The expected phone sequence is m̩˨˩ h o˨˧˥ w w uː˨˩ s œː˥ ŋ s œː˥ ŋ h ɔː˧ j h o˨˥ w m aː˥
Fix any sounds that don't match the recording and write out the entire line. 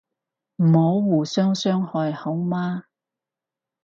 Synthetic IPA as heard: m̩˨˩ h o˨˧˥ w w uː˨˩ s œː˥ ŋ s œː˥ ŋ h ɔː˧ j h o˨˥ w m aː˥